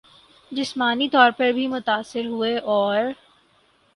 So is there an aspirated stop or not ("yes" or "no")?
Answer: no